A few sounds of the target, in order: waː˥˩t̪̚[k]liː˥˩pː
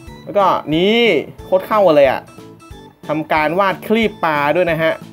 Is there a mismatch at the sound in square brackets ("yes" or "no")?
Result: yes